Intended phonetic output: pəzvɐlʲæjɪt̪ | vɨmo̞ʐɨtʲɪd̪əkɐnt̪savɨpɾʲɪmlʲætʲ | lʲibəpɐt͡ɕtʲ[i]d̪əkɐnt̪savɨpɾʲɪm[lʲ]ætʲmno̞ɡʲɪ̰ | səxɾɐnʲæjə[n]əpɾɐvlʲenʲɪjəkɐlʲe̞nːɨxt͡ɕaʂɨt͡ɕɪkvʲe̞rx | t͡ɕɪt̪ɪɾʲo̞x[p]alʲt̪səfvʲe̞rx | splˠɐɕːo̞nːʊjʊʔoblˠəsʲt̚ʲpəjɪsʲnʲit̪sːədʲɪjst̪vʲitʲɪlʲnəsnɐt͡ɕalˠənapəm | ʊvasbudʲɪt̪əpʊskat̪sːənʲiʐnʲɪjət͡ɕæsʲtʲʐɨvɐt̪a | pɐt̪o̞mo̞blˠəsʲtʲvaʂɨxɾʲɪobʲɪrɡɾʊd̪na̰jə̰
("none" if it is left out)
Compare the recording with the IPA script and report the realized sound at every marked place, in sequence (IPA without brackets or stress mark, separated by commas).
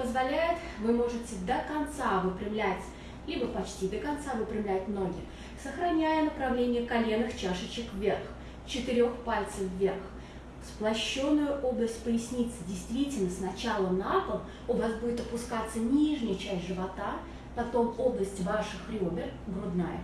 i, lʲ, n, p